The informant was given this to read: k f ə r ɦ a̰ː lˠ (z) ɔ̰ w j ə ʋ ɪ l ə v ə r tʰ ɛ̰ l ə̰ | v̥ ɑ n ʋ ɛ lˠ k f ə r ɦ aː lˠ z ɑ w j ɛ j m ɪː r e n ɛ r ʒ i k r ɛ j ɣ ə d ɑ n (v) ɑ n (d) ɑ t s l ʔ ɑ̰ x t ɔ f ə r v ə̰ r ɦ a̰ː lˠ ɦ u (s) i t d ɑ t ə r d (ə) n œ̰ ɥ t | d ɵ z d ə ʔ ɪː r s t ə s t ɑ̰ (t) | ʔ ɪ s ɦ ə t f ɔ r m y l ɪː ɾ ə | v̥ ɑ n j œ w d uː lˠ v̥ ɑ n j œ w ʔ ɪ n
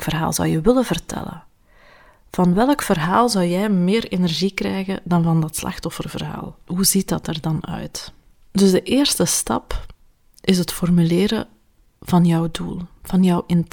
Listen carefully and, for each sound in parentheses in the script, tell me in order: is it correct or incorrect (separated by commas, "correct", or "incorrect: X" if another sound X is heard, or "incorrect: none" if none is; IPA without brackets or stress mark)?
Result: correct, correct, correct, incorrect: z, incorrect: ɑ, incorrect: p